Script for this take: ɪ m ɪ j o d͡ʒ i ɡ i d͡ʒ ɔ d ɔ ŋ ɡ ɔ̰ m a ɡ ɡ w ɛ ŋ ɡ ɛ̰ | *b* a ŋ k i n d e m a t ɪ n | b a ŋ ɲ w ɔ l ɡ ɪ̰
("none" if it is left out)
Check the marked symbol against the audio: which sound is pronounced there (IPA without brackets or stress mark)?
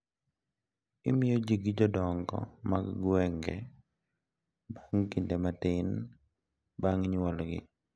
b